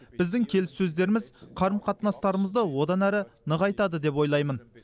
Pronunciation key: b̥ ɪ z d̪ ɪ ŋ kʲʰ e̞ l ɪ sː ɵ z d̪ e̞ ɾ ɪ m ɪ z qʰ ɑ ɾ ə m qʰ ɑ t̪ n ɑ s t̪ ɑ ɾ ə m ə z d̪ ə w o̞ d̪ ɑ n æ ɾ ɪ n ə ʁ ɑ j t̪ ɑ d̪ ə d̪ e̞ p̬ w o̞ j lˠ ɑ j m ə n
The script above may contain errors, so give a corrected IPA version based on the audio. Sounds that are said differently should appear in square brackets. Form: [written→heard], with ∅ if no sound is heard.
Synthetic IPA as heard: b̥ ɪ z d̪ ɪ ŋ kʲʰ e̞ l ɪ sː ɵ z d̪ e̞ ɾ ɪ m ɪ z qʰ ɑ ɾ ə m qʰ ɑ t̪ n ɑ s t̪ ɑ ɾ ə m ə z d̪ ə w o̞ d̪ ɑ n æ ɾ ɪ n ə ʁ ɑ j t̪ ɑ d̪ ə d̪ e̞ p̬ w o̞ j lˠ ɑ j m ə n